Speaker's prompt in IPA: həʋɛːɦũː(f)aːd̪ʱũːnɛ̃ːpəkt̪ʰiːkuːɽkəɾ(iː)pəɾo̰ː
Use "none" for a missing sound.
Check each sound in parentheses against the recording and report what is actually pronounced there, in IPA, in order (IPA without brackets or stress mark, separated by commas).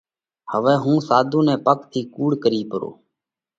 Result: s, iː